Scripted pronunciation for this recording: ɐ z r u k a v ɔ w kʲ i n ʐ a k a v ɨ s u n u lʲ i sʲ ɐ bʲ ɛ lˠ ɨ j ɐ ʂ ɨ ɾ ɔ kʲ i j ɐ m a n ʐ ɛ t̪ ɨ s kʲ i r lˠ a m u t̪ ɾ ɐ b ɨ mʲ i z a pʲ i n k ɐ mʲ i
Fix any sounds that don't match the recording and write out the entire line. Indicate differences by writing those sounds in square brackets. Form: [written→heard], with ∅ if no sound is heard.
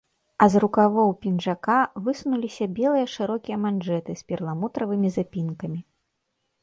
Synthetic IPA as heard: ɐ z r u k a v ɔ w [kʲ→pʲ] i n ʐ a k a v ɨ s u n u lʲ i sʲ ɐ bʲ ɛ lˠ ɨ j ɐ ʂ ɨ ɾ ɔ kʲ i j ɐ m a n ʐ ɛ t̪ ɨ s [kʲ→pʲ] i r lˠ a m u t̪ ɾ ɐ [b→v] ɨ mʲ i z a pʲ i n k ɐ mʲ i